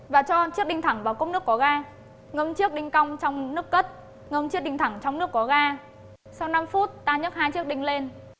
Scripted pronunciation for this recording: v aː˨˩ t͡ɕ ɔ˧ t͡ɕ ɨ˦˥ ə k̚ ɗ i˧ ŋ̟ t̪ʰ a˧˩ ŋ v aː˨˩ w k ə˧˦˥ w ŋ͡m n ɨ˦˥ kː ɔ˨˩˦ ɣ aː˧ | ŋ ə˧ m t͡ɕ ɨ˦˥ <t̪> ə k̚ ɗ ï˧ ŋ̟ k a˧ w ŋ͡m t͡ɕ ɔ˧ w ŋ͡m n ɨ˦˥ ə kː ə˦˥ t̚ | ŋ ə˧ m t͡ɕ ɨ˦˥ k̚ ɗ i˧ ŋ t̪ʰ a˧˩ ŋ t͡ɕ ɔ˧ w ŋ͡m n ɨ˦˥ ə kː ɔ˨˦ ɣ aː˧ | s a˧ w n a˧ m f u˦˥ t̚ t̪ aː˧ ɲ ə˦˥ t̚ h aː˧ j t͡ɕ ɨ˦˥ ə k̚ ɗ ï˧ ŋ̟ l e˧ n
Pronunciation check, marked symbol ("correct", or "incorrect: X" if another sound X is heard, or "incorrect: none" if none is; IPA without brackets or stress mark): incorrect: none